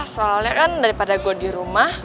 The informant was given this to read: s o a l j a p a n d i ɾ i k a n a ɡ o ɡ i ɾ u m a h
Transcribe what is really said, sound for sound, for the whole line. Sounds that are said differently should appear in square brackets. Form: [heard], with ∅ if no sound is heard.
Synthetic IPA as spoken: s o a l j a [k] a n d [a] ɾ i [p] a [d] a ɡ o [d] i ɾ u m a h